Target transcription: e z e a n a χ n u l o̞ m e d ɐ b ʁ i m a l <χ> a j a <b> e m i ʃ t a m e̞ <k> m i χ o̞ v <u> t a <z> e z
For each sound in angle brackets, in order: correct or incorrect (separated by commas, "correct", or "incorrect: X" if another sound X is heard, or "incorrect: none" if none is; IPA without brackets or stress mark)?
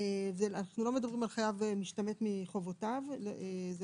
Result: correct, incorrect: v, incorrect: t, incorrect: o, incorrect: v